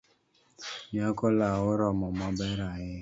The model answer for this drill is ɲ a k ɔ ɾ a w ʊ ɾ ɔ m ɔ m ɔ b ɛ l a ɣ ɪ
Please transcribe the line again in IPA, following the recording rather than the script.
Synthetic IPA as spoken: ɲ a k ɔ l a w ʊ ɾ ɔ m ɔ m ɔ b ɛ ɾ a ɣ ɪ